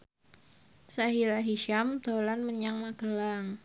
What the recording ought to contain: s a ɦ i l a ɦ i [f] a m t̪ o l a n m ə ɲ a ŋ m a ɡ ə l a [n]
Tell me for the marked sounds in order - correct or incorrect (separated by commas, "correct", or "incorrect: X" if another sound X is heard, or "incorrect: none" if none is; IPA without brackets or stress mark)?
incorrect: ʃ, incorrect: ŋ